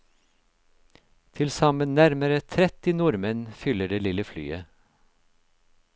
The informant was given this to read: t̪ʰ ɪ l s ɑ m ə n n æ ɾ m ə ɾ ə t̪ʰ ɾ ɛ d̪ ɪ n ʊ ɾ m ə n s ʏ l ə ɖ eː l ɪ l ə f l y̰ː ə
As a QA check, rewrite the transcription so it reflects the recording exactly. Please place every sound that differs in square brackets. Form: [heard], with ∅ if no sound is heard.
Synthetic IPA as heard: t̪ʰ ɪ l s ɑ m ə n n æ ɾ m ə ɾ ə t̪ʰ ɾ ɛ [t̪] ɪ n ʊ ɾ m ə n [f] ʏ l ə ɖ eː l ɪ l ə f l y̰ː ə